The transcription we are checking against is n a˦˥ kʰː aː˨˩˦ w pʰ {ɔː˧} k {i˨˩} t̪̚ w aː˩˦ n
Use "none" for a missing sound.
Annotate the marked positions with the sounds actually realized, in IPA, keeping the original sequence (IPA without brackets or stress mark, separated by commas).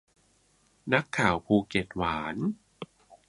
uː˧, e˨˩